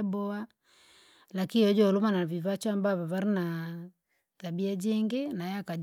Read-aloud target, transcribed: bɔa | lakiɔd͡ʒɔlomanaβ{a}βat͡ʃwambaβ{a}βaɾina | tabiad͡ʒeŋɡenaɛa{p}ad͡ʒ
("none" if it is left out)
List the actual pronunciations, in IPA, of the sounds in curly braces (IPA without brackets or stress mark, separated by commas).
i, a, k